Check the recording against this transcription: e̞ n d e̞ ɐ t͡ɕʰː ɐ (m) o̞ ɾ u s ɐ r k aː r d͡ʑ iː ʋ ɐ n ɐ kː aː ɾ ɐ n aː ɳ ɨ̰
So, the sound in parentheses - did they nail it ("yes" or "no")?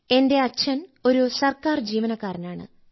no